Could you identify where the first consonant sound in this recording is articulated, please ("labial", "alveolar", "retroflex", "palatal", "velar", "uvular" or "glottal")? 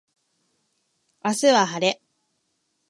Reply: alveolar